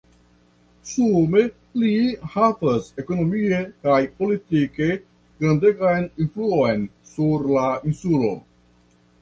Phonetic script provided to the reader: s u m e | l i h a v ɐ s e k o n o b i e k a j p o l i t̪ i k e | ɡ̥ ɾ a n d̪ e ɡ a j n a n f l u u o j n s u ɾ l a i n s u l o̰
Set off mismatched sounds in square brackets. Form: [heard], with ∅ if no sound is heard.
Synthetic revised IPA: s u m e | l i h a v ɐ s e k o n o [m] i e k a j p o l i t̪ i k e | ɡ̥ ɾ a n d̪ e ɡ a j n [i] n f l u u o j n s u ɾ l a i n s u l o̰